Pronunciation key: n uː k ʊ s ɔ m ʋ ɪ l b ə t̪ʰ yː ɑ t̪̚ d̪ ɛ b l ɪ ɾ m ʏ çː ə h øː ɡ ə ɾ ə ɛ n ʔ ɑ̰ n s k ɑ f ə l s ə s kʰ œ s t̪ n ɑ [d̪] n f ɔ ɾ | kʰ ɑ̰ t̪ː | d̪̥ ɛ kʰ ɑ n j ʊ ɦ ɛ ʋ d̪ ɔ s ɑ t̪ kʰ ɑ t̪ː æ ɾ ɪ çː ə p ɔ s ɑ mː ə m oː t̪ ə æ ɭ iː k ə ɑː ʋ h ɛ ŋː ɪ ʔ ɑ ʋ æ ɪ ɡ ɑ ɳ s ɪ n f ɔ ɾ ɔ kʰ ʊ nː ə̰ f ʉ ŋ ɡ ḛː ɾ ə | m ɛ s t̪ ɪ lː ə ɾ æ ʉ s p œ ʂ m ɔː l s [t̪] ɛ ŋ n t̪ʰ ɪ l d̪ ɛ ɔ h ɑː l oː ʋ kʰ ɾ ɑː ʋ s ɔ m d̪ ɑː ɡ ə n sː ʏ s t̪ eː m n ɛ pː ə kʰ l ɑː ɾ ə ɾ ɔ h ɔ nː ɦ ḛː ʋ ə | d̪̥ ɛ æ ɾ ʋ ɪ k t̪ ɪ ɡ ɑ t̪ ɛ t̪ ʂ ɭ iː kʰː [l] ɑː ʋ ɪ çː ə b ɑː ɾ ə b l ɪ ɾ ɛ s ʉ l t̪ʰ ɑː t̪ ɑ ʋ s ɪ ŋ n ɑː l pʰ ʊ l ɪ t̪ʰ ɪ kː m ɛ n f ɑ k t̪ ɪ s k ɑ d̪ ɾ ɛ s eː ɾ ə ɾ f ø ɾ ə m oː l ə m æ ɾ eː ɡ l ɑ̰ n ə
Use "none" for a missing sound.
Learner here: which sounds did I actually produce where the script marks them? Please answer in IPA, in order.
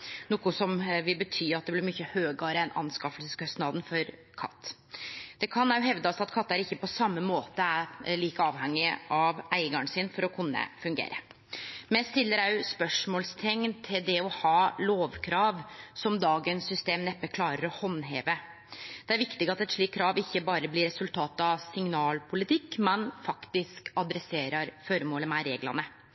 d̪, t̪ʰ, ɾ

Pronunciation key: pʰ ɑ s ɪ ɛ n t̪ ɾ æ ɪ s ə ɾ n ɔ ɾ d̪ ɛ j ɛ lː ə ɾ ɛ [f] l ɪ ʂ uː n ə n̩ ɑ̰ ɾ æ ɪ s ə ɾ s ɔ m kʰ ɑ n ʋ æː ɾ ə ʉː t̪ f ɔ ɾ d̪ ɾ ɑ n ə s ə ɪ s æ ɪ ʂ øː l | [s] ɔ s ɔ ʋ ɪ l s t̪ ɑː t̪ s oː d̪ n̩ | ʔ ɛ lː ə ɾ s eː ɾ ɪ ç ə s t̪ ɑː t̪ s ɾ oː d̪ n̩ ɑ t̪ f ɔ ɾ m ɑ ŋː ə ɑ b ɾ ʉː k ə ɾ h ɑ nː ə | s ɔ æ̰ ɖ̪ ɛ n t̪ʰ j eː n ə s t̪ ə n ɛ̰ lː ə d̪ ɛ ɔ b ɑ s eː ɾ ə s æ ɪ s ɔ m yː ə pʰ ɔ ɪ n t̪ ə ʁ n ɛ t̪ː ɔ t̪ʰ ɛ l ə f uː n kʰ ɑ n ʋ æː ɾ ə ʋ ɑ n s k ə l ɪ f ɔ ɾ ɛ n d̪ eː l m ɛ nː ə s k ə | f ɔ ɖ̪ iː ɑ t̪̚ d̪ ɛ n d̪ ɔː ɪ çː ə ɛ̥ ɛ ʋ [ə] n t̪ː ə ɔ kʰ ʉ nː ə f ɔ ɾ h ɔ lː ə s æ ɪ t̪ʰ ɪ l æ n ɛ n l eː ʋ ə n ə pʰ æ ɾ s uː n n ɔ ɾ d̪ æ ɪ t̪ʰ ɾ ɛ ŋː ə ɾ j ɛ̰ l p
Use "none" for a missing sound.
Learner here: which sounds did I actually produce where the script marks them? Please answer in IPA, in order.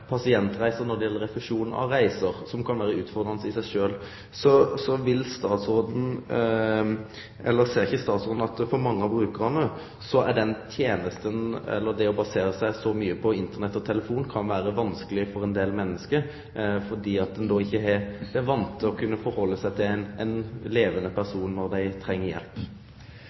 f, s, ɑ

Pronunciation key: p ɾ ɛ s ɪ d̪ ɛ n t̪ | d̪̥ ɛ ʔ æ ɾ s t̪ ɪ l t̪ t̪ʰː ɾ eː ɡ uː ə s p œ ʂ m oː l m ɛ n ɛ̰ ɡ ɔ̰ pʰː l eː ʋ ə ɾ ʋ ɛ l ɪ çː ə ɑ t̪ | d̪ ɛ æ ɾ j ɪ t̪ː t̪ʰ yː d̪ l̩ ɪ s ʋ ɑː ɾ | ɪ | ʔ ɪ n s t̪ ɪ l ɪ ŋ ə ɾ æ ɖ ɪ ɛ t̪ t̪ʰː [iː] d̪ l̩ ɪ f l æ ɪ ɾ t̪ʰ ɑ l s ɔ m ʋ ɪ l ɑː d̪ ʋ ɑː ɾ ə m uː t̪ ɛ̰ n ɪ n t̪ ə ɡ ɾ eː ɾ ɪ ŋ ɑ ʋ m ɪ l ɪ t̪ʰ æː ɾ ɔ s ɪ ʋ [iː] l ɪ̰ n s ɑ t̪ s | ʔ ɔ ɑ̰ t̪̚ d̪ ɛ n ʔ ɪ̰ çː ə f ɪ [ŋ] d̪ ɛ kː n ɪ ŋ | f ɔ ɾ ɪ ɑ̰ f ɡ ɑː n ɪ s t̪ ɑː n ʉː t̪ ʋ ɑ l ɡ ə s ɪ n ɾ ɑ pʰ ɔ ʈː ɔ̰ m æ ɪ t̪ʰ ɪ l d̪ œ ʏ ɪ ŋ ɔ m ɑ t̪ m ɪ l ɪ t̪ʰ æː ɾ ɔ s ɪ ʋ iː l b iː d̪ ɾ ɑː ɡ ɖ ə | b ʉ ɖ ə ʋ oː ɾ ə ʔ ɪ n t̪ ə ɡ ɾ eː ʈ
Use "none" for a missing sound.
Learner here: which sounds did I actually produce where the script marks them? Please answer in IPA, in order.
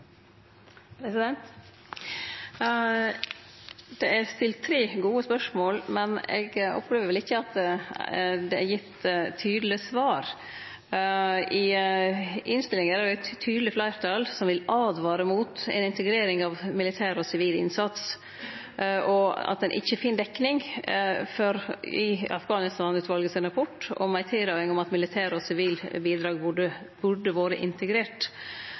yː, iː, n

